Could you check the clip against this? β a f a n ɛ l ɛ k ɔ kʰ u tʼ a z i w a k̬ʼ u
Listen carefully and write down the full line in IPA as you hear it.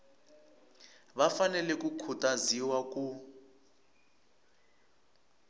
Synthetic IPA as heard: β a f a n ɛ l ɛ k u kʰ u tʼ a z i w a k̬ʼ u